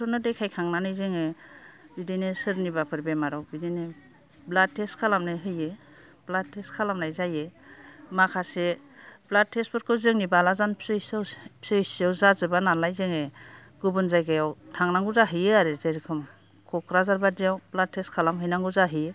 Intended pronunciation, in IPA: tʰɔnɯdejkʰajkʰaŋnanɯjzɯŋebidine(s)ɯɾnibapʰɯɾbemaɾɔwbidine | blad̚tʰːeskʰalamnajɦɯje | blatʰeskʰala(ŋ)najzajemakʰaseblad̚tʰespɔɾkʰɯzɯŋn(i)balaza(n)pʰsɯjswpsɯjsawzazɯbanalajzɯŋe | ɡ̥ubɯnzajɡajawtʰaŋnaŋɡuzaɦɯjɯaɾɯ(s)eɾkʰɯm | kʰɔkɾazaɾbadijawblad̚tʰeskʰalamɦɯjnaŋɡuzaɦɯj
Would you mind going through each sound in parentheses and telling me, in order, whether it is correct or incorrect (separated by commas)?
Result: correct, incorrect, correct, correct, incorrect